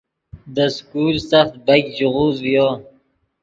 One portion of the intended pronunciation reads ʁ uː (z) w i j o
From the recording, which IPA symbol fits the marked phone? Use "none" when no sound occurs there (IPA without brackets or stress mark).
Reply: z